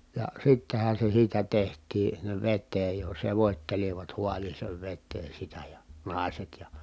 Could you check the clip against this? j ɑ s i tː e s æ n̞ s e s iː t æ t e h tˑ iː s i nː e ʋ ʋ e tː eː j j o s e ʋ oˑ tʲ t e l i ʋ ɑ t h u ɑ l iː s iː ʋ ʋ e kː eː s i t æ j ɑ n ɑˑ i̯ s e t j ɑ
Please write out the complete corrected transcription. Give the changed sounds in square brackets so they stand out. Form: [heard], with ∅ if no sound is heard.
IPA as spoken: j ɑ s i tː e [h] æ n̞ s e s iː t æ t e h tˑ iː s i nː e ʋ ʋ e tː eː j j o s e ʋ oˑ tʲ t e l i ʋ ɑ t h u ɑ l iː s [eː] ʋ ʋ e [tː] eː s i t æ j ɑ n ɑˑ i̯ s e t j ɑ

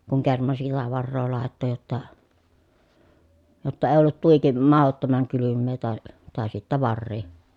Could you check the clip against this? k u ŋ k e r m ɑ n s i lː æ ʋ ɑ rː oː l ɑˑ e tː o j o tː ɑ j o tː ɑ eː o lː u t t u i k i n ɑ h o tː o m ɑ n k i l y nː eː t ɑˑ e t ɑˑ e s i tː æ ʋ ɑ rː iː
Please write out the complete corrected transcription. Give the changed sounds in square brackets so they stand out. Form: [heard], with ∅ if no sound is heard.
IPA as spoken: k u ŋ k e r m ɑ n s i lː æ ʋ ɑ rː oː l ɑˑ e tː o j o tː ɑ j o tː ɑ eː o lː u t t u i k i [m] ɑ h o tː o m ɑ [ŋ] k [y] l y [mː] eː t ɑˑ e t ɑˑ e s i tː æ ʋ ɑ rː iː

